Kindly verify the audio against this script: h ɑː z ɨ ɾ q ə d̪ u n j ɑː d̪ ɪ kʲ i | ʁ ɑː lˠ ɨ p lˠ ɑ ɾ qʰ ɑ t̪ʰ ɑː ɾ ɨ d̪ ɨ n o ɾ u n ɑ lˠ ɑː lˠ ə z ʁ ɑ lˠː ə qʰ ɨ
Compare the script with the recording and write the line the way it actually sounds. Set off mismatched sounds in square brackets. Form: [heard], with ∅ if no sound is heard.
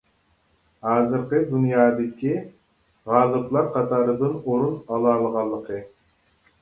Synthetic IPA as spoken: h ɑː z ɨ ɾ q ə d̪ u n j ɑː d̪ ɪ kʲ i | ʁ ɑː lˠ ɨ p lˠ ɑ ɾ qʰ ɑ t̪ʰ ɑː ɾ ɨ d̪ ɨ n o ɾ u n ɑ lˠ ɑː lˠ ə [∅] ʁ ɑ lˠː ə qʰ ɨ